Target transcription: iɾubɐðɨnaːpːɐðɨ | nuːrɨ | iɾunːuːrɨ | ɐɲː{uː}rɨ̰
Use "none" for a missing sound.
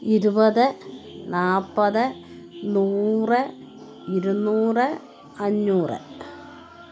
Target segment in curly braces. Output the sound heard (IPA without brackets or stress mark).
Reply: uː